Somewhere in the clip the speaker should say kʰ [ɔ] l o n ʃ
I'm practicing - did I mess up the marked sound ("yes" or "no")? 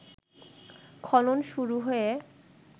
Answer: no